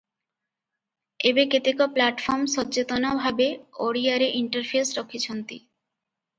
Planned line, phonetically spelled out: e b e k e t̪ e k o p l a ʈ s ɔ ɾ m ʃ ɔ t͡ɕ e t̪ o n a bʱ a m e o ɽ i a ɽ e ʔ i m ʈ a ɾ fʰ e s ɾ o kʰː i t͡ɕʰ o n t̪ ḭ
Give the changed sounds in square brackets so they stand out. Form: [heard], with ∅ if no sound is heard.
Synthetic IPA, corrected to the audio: e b e k e t̪ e k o p l a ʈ [f] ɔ ɾ m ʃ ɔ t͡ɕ e t̪ o n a bʱ a [b] e o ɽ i a [ɾ] e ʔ i [ɳ] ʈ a ɾ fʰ e s ɾ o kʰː i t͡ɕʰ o n t̪ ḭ